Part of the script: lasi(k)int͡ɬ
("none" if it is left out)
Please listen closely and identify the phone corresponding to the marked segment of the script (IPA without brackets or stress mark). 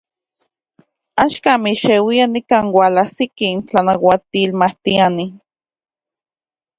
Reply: k